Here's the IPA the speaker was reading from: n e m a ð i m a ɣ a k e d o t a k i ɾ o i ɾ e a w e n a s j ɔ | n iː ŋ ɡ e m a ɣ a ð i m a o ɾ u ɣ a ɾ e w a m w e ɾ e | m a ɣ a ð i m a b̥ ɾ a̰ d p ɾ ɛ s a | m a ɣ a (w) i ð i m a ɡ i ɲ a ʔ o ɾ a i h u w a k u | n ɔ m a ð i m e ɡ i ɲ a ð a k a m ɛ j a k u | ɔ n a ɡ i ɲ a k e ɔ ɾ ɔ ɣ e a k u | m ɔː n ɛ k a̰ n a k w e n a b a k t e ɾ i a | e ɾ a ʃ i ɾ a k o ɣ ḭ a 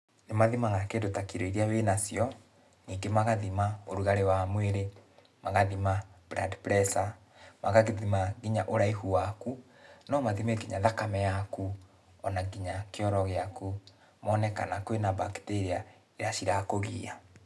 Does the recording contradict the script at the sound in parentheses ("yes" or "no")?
yes